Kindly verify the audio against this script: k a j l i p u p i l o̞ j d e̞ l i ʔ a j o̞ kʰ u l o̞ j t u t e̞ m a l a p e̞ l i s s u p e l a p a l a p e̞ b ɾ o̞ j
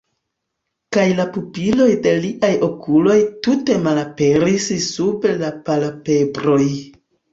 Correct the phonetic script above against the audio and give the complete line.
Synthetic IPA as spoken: k a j l a p u p i l o̞ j d e̞ l i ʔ a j o̞ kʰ u l o̞ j t u t e̞ m a l a p e̞ ɾ i s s u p e l a p a l a p e̞ b ɾ o̞ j